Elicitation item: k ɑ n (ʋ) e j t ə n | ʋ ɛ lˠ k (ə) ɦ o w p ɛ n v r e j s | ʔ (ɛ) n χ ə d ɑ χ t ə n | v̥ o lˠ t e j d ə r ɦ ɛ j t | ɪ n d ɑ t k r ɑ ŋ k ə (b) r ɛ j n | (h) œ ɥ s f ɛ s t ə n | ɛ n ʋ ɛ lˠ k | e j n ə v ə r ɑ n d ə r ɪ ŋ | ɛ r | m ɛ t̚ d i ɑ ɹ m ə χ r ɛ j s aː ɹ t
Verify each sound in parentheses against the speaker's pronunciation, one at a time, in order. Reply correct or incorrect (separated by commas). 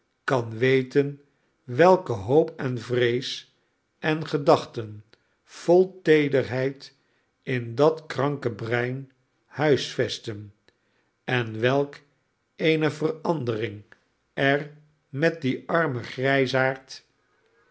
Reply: correct, correct, correct, correct, correct